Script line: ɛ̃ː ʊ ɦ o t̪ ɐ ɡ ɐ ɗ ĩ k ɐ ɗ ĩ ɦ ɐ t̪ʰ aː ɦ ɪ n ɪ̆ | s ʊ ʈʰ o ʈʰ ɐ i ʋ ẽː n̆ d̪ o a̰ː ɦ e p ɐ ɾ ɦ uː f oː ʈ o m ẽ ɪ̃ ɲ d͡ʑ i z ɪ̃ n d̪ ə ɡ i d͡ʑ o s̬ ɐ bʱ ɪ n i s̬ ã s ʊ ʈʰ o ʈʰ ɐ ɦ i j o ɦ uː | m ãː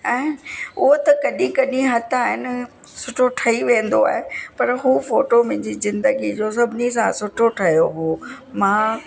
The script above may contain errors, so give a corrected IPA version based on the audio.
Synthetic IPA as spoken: ɛ̃ː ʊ ɦ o t̪ ɐ k ɐ ɗ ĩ k ɐ ɗ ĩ ɦ ɐ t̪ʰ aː ɦ ɪ n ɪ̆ | s ʊ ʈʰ o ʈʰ ɐ i ʋ ẽː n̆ d̪ o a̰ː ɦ e p ɐ ɾ ɦ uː f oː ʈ o m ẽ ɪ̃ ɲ d͡ʑ i z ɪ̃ n d̪ ə ɡ i d͡ʑ o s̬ ɐ bʱ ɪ n i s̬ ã s ʊ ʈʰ o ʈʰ ɐ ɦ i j o ɦ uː | m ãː